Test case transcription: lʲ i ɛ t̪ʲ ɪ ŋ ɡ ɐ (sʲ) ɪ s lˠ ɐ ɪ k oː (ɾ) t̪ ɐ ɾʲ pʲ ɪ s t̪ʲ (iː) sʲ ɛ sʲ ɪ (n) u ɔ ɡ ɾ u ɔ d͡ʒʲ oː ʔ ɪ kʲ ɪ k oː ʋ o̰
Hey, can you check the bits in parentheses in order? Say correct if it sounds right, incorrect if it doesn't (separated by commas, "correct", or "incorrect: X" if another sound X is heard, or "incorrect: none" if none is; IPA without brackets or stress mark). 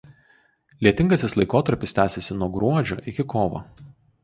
correct, incorrect: none, incorrect: æː, correct